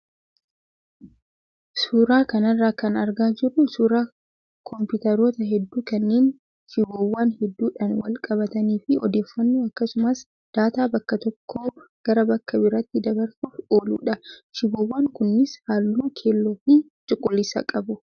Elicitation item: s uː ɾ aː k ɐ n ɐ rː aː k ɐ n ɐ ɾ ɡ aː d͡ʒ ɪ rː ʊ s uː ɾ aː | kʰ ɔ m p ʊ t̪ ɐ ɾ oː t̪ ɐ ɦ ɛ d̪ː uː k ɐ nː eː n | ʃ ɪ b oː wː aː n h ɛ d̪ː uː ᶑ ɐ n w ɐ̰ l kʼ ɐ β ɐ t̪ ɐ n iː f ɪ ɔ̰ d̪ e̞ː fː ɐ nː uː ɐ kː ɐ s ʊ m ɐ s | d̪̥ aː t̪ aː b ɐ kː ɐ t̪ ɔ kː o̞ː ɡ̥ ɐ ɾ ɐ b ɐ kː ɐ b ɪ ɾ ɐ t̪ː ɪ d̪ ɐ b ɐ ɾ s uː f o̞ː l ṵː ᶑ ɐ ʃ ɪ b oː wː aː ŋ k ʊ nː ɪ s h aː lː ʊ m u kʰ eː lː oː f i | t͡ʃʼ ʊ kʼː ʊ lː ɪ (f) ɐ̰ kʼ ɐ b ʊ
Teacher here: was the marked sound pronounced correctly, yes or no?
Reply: no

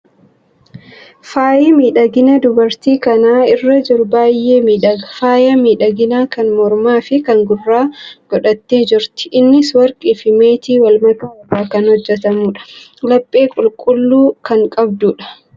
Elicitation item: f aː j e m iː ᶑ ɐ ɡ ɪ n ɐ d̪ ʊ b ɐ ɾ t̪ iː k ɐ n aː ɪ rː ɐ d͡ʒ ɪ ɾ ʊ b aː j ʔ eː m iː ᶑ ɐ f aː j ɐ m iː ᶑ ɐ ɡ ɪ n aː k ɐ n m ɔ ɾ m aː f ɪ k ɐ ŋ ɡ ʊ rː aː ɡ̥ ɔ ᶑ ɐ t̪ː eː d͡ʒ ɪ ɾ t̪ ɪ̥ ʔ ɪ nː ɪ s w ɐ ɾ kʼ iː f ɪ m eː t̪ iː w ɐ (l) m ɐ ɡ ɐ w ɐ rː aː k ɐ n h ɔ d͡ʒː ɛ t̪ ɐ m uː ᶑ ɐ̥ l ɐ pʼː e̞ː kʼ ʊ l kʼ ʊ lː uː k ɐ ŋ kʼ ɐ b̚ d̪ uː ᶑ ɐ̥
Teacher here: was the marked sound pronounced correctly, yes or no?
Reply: yes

